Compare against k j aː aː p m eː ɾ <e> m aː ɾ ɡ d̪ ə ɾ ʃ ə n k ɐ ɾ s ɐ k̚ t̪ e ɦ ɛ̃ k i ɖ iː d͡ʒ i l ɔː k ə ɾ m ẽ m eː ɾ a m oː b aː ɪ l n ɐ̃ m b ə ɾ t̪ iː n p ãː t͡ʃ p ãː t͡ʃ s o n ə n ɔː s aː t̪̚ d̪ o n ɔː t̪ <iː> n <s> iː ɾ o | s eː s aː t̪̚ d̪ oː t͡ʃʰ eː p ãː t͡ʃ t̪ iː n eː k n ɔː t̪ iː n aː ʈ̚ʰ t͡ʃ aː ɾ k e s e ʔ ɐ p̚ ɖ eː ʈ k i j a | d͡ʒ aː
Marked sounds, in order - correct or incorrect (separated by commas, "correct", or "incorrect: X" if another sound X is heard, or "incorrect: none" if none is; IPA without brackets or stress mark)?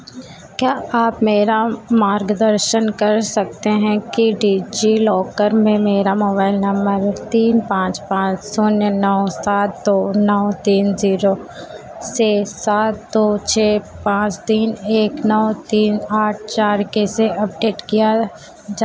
incorrect: a, correct, incorrect: z